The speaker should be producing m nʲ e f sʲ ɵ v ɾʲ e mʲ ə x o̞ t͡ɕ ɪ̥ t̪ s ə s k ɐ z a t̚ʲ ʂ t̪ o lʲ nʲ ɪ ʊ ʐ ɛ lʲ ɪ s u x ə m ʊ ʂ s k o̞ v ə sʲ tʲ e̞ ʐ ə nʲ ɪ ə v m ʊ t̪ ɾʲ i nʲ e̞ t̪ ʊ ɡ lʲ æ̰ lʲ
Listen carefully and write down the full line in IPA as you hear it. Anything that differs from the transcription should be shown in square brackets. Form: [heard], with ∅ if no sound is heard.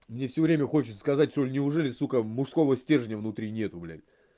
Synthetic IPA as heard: m nʲ e f sʲ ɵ v ɾʲ e mʲ ə x o̞ t͡ɕ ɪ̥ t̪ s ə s k ɐ z a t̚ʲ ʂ t̪ o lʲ nʲ ɪ ʊ ʐ ɛ lʲ ɪ s u [k] ə m ʊ ʂ s k o̞ v ə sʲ tʲ e̞ ʐ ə nʲ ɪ ə v [n] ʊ t̪ ɾʲ i nʲ e̞ t̪ ʊ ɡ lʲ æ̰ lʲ